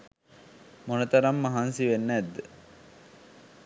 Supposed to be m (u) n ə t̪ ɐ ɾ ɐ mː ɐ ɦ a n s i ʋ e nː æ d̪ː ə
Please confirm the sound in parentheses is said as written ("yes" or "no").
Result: no